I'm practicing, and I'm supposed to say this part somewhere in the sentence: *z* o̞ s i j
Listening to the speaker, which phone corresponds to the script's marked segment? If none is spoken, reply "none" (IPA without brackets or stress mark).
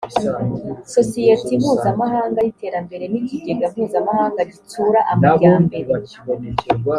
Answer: s